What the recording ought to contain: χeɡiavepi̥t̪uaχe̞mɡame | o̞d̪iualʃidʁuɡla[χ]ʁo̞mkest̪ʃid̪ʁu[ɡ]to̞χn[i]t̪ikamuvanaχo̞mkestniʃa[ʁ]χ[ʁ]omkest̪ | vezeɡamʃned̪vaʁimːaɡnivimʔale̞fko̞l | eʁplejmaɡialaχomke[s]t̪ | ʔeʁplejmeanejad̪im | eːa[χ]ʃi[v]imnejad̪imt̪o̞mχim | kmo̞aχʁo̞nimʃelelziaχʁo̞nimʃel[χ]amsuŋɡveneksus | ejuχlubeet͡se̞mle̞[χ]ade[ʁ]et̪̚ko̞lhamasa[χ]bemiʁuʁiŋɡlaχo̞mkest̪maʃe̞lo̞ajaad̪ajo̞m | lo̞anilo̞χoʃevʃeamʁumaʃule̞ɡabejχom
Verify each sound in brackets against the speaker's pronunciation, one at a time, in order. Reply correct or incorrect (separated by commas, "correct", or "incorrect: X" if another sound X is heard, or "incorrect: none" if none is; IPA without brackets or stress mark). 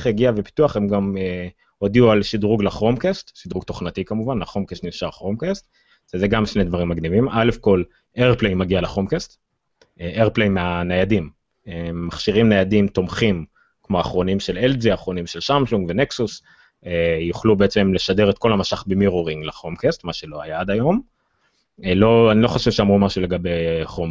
correct, correct, incorrect: a, correct, correct, correct, correct, incorrect: ʁ, incorrect: ʃ, incorrect: ʃ, correct, correct